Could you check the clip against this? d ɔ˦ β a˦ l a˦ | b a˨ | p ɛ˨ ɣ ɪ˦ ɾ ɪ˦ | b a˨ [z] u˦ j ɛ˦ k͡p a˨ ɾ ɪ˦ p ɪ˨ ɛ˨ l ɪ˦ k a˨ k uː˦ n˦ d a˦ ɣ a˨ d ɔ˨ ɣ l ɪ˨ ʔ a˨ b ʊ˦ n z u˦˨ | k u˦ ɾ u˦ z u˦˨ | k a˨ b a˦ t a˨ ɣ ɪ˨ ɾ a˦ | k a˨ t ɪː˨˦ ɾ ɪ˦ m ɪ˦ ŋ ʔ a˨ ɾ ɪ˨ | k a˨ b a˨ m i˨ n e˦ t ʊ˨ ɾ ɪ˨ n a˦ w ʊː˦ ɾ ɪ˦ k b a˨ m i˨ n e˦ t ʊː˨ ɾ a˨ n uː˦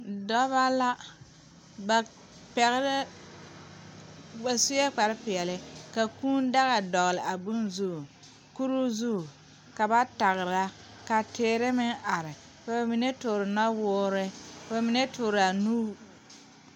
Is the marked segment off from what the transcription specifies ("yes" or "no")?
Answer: yes